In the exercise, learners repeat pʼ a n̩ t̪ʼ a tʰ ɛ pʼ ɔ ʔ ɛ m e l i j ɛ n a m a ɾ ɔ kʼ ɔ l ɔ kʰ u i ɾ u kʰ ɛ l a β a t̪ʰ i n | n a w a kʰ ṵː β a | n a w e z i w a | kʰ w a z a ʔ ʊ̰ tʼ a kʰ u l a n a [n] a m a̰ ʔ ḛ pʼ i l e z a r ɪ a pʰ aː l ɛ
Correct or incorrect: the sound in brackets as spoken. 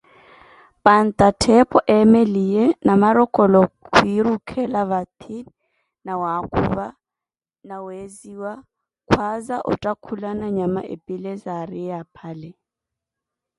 incorrect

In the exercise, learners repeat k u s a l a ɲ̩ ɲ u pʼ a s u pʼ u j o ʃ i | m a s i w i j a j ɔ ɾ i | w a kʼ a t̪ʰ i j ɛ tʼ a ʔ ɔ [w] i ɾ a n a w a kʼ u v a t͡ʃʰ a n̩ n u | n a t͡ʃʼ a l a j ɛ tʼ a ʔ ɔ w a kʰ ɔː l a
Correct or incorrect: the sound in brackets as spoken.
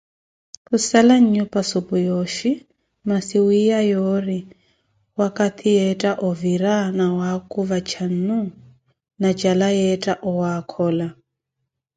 incorrect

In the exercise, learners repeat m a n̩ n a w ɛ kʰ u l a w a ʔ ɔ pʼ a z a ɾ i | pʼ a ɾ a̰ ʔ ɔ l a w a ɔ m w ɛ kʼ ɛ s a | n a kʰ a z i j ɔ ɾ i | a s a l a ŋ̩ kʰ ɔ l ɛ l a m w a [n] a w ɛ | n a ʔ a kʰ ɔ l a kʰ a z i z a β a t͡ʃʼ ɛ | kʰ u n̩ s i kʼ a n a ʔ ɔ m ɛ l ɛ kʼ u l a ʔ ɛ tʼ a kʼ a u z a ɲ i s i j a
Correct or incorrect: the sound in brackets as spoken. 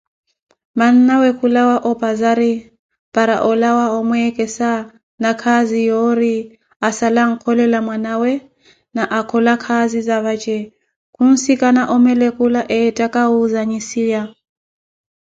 correct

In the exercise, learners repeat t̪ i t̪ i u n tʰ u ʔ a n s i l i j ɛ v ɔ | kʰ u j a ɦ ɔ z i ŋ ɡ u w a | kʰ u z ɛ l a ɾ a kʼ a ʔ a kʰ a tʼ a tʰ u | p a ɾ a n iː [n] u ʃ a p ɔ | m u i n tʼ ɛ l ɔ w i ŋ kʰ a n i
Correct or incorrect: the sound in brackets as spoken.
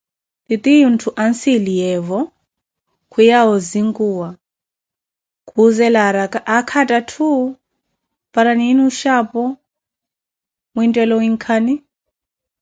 correct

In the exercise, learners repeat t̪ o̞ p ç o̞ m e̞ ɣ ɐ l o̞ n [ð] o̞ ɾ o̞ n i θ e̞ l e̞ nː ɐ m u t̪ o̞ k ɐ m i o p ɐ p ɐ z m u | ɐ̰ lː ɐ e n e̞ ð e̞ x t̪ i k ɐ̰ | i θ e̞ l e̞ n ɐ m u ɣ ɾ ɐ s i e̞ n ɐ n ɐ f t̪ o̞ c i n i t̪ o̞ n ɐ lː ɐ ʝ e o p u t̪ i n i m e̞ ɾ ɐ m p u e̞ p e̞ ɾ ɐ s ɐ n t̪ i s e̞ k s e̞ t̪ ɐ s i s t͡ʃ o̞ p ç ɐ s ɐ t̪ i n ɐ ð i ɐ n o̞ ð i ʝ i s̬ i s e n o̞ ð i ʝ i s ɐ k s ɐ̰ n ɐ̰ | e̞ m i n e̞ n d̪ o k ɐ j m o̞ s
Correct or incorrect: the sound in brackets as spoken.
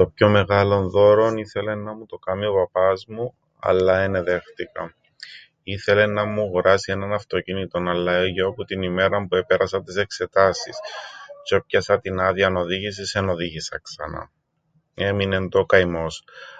correct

